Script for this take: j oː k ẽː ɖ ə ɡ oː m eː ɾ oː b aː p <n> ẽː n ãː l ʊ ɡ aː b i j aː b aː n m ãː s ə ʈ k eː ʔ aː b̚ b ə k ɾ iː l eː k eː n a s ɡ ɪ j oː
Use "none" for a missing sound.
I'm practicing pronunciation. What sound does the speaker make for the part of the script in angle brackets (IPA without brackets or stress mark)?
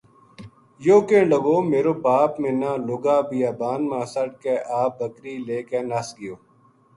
m